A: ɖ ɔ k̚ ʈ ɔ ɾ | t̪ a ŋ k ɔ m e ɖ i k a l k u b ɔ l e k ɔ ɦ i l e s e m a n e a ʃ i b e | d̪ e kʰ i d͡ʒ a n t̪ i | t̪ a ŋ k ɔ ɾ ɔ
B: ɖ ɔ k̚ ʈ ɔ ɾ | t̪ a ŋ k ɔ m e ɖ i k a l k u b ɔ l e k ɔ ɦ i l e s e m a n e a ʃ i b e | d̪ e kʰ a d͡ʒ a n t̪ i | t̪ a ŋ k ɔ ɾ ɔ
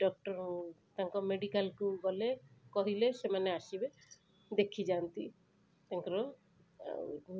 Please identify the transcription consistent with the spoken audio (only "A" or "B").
A